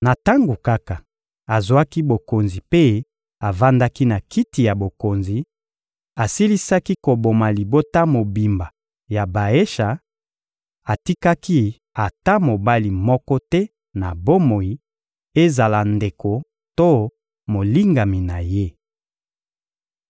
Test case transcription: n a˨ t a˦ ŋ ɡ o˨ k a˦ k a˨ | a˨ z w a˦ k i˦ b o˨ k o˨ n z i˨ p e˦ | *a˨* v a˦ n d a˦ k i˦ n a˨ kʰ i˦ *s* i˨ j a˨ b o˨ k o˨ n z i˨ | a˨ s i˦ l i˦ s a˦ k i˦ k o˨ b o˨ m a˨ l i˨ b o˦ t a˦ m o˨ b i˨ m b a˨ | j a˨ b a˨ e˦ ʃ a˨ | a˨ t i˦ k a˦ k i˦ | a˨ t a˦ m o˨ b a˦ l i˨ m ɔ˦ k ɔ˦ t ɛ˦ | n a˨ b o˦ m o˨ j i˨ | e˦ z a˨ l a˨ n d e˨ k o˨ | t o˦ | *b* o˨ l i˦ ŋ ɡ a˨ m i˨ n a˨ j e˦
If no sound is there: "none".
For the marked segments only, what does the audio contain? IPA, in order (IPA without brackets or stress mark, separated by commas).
a˨, t, m